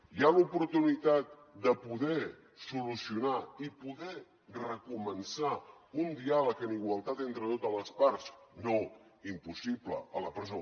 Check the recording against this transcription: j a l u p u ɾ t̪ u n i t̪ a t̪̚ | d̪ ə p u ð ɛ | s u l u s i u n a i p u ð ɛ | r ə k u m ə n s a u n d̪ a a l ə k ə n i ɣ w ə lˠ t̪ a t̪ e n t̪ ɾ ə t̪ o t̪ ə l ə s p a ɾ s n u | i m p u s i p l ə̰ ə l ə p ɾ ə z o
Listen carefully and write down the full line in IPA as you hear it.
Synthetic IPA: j a l u p u ɾ t̪ u n i t̪ a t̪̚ | d̪ ə p u ð ɛ | s u l u s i u n a i p u ð ɛ | r ə k u m ə n s a u n d̪ i a l ə k ə n i ɣ w ə lˠ t̪ a t̪ e n t̪ ɾ ə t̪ o t̪ ə l ə s p a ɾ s n o | i m p u s i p l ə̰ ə l ə p ɾ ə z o